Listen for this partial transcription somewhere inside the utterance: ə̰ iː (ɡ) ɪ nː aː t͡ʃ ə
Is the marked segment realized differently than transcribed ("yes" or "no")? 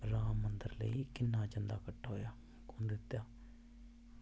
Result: yes